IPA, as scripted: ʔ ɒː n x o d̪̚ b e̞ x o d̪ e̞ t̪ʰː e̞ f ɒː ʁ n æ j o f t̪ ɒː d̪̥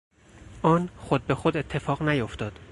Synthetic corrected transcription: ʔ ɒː n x o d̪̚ b e̞ x o d̪ e̞ t̪ʰː e̞ f ɒː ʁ n æ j o f t̪ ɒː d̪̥